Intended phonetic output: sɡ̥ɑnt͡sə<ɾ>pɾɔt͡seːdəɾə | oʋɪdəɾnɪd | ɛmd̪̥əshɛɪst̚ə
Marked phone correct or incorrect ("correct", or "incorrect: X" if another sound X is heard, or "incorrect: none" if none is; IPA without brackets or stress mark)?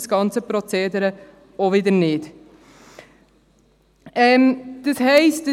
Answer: incorrect: none